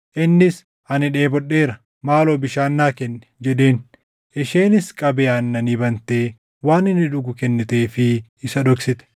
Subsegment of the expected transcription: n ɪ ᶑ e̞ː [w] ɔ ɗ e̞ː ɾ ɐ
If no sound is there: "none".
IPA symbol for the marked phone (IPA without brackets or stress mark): b